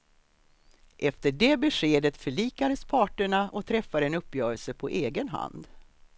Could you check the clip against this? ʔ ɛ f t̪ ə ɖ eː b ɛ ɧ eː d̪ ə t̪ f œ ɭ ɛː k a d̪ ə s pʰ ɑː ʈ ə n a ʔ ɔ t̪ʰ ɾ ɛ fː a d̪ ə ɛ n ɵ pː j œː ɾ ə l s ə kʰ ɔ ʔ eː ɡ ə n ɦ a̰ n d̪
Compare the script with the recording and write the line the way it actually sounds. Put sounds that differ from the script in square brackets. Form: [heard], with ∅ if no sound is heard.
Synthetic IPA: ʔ ɛ f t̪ ə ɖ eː b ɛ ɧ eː d̪ ə t̪ f œ ɭ [iː] k a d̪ ə s pʰ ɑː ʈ ə [ɳ] a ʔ ɔ t̪ʰ ɾ ɛ fː a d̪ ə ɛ n ɵ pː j œː ɾ ə l s ə [pʰ] ɔ ʔ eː ɡ ə n ɦ a̰ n d̪